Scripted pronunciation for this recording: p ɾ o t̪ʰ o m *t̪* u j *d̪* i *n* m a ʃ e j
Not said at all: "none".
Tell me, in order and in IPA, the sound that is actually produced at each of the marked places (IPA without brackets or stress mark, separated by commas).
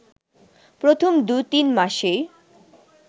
d̪, t̪, n